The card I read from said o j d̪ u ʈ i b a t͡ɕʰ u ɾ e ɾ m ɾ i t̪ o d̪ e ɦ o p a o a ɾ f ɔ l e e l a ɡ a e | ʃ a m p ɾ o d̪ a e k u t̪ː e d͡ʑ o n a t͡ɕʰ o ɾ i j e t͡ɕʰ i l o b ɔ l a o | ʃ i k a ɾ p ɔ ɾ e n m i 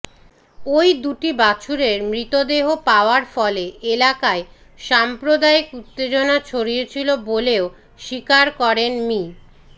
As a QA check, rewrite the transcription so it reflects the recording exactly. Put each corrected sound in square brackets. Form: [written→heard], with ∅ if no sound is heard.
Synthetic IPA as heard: o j d̪ u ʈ i b a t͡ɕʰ u ɾ e ɾ m ɾ i t̪ o d̪ e ɦ o p a o a ɾ f ɔ l e e l a [ɡ→k] a e | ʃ a m p ɾ o d̪ a e k u t̪ː e d͡ʑ o n a t͡ɕʰ o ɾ i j e t͡ɕʰ i l o b [ɔ→o] l [a→e] o | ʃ i k a ɾ [p→k] ɔ ɾ e n m i